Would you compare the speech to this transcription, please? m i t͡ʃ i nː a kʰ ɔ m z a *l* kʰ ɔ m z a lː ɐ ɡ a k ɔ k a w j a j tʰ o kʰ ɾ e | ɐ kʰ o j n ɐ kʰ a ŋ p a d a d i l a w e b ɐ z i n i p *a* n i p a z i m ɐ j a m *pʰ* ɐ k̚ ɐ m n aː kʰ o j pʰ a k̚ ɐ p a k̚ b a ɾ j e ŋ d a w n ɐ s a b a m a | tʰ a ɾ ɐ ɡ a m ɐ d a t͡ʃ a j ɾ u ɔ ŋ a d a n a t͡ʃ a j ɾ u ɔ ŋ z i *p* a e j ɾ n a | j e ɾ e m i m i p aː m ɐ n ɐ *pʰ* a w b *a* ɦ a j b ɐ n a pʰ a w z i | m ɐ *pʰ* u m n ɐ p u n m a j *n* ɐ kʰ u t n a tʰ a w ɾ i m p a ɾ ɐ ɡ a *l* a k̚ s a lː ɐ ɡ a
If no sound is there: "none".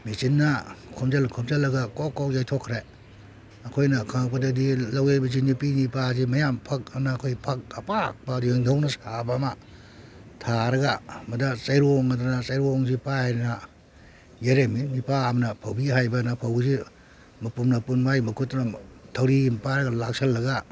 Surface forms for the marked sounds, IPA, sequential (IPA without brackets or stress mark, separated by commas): l, i, pʰ, p, pʰ, i, p, m, l